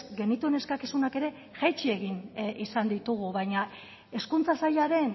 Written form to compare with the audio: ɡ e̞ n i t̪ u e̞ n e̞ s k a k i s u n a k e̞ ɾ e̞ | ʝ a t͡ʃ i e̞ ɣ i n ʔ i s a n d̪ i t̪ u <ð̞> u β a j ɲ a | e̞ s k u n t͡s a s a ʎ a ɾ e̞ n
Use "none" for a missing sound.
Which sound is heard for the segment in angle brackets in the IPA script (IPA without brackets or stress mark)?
ɣ̞